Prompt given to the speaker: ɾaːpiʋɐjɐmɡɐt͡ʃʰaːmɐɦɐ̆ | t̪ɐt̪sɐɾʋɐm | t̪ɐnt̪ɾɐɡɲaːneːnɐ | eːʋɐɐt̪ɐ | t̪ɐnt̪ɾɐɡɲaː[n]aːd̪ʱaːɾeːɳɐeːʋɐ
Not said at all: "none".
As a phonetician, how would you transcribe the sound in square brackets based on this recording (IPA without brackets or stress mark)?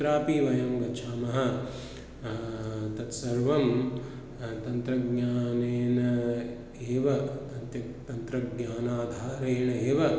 n